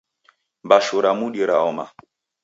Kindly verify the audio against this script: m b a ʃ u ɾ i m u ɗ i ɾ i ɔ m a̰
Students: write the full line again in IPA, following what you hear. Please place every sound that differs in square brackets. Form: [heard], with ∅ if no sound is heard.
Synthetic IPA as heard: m b a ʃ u ɾ [a] m u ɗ i ɾ [a] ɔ m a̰